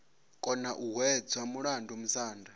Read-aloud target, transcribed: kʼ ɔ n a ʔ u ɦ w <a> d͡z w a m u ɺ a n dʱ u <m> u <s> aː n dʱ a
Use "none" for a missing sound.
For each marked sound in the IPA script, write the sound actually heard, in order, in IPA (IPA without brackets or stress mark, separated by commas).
ɛ, m, s